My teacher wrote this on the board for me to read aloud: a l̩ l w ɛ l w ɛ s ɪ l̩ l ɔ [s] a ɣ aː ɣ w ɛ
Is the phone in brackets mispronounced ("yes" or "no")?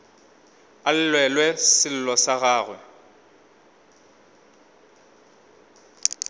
no